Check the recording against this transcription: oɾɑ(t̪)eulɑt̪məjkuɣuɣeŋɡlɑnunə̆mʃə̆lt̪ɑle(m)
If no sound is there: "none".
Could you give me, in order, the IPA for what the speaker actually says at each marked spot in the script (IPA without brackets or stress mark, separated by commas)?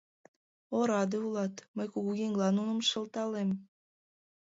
d̪, m